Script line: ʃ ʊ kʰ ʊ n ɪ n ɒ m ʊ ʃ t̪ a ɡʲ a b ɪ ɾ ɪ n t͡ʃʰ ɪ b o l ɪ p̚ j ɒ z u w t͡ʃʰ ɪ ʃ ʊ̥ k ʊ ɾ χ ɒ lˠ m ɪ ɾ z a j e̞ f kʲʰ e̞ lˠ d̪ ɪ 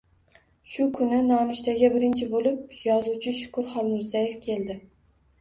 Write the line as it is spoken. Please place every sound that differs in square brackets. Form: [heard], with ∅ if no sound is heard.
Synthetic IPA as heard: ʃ ʊ kʰ ʊ n ɪ n ɒ [n] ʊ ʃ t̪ a ɡʲ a b ɪ ɾ ɪ n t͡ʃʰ ɪ b o l ɪ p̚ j ɒ z u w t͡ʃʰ ɪ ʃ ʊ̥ k ʊ ɾ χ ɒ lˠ m ɪ ɾ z a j e̞ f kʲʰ e̞ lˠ d̪ ɪ